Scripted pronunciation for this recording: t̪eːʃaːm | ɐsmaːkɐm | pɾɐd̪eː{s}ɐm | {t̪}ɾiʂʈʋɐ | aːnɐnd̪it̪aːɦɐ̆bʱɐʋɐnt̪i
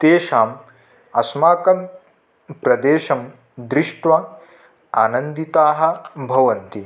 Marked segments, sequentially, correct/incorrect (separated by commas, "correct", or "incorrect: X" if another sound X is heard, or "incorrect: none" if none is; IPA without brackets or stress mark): incorrect: ʃ, incorrect: d̪